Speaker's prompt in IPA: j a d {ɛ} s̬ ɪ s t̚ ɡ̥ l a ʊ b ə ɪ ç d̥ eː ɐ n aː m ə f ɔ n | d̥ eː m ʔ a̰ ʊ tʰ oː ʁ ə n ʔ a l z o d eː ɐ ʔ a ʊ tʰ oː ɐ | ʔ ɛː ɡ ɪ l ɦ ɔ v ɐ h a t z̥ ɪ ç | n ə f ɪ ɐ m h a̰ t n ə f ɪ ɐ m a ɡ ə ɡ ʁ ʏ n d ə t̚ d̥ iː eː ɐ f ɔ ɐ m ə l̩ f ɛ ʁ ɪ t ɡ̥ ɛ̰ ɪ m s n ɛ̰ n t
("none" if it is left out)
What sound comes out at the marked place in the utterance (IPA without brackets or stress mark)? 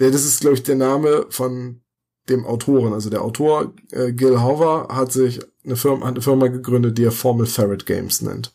a